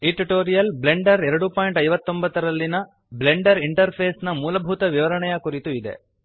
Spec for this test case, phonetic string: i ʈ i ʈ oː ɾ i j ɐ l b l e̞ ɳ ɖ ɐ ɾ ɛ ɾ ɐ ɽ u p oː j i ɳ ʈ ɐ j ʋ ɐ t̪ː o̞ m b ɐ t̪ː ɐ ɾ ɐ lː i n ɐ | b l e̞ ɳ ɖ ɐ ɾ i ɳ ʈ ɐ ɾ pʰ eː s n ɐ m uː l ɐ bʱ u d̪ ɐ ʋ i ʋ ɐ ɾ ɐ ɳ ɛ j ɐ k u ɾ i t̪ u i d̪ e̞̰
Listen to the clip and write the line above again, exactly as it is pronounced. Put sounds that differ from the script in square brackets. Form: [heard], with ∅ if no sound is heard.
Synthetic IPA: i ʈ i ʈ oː ɾ i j ɐ l b l e̞ ɳ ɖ ɐ ɾ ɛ ɾ ɐ ɽ u p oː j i ɳ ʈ ɐ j ʋ ɐ t̪ː o̞ m b ɐ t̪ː ɐ ɾ ɐ lː i n ɐ | b l e̞ ɳ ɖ ɐ ɾ i ɳ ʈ ɐ ɾ pʰ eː s n ɐ m uː l ɐ bʱ u [t̪] ɐ ʋ i ʋ ɐ ɾ ɐ ɳ ɛ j ɐ k u ɾ i t̪ u i d̪ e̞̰